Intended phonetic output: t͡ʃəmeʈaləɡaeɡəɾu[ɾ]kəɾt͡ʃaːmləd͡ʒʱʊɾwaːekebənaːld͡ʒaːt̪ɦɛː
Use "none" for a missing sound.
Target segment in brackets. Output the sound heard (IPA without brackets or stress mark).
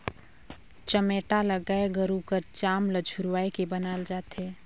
none